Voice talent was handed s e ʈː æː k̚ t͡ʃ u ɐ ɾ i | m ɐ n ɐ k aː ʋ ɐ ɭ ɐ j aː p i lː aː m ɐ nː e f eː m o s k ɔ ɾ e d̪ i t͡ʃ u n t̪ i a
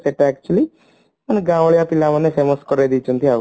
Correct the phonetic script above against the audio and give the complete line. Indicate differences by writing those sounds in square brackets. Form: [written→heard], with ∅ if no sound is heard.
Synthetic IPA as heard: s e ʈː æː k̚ t͡ʃ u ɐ [ɾ→l] i | m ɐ n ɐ [k→ɡ] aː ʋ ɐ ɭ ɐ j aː p i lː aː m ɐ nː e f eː m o s k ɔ ɾ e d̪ i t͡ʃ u n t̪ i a